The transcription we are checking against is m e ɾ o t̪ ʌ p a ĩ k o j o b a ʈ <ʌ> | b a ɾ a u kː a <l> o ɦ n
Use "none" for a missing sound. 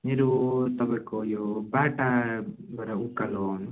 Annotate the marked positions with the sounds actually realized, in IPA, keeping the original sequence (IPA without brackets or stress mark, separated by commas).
a, l